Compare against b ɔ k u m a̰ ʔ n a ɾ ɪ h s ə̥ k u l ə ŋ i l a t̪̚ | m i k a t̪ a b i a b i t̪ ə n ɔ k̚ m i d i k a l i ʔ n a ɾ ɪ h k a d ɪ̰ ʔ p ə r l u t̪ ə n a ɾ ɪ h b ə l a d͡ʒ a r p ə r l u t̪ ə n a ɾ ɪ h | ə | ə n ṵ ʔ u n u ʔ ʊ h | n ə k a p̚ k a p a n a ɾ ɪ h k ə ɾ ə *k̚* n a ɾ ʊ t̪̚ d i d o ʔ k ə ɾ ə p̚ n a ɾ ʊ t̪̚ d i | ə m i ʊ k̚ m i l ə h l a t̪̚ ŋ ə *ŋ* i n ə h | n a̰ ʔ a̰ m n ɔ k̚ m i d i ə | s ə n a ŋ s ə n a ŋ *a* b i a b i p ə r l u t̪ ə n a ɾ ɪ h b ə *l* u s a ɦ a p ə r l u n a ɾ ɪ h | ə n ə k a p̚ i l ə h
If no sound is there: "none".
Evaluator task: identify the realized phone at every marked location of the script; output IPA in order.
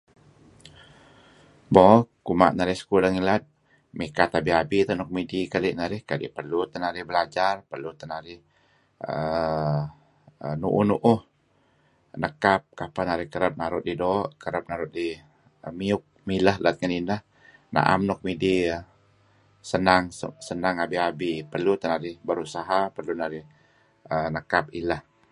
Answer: p̚, n, a, ɾ

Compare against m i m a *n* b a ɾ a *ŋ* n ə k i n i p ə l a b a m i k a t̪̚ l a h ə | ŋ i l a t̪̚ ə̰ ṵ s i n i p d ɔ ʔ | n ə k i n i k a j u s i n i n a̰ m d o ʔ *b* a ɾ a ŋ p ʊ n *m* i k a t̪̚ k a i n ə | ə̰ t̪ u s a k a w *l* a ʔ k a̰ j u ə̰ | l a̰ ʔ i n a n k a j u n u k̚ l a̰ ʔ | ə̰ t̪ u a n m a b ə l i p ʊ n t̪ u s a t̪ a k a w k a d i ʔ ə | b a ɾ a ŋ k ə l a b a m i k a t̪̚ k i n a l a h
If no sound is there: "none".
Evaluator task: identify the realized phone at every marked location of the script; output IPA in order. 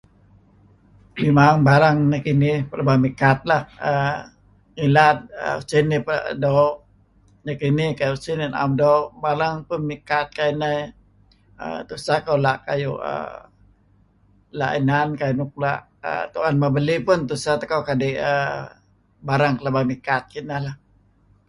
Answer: ŋ, ŋ, b, m, l

